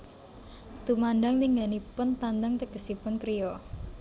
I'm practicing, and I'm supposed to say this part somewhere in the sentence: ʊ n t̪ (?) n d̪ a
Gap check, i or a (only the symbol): a